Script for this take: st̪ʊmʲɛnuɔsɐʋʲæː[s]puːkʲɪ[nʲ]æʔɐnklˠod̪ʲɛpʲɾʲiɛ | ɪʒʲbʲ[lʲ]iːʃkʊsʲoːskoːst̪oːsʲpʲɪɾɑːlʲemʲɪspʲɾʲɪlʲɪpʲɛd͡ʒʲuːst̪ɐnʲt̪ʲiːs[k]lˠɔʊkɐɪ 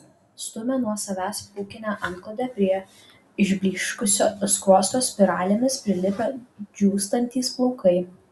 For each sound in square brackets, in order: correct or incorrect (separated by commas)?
correct, correct, correct, incorrect